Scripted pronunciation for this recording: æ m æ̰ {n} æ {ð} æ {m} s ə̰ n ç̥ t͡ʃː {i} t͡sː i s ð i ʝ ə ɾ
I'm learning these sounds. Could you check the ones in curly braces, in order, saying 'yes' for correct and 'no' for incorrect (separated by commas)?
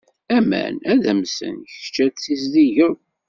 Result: yes, yes, yes, no